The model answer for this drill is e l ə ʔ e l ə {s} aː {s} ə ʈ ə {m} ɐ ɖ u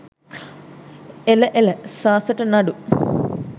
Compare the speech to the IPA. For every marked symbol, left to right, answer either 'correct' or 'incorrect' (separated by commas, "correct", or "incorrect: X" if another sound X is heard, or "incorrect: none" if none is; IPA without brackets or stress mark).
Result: correct, correct, incorrect: n